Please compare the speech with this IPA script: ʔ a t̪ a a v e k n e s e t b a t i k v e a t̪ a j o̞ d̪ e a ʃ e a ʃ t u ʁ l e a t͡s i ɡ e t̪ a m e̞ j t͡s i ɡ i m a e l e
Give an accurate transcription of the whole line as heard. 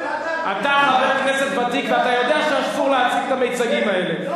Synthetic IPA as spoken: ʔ a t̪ a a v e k n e s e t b a t i k v e a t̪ a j o̞ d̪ e a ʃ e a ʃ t u ʁ l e a t͡s i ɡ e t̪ a m e̞ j t͡s a ɡ i m a e l e